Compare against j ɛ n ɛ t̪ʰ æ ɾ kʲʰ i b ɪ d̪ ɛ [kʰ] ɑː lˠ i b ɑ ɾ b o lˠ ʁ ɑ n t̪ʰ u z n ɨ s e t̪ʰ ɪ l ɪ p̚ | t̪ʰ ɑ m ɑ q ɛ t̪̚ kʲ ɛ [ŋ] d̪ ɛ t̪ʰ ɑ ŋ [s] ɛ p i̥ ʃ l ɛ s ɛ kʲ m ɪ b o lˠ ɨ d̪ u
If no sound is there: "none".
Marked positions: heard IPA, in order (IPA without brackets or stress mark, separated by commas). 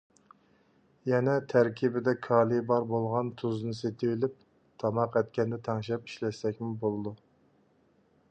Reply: kʰ, n, ʃ